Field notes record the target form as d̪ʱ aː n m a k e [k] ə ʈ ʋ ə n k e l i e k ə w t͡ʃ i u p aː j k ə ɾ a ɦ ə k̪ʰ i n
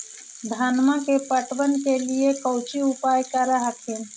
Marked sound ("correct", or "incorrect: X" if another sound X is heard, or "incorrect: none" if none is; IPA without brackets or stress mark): incorrect: p